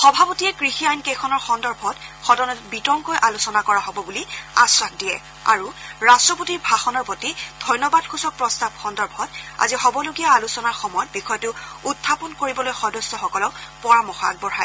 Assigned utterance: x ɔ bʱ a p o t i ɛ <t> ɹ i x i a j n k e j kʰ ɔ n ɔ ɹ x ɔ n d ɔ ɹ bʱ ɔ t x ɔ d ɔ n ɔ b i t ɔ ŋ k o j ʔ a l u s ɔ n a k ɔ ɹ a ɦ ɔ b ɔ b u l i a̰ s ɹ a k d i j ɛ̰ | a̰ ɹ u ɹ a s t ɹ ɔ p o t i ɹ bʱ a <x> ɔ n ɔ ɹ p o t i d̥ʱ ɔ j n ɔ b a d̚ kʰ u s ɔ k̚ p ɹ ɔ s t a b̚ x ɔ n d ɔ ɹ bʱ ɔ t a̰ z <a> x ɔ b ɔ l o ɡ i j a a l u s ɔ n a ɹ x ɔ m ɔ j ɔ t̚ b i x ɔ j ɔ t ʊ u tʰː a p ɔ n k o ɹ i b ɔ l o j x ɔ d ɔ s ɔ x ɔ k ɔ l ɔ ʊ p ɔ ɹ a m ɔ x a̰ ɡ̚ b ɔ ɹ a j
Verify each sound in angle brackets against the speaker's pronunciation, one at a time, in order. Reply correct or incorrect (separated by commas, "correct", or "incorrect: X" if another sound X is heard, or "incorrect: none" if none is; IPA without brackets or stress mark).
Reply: incorrect: k, correct, incorrect: i